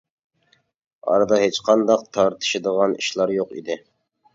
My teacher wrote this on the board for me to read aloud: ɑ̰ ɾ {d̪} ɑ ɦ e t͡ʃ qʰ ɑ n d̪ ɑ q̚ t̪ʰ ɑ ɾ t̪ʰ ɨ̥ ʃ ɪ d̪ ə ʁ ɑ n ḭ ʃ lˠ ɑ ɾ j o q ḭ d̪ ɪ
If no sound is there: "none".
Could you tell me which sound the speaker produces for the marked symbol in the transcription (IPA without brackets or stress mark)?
d̪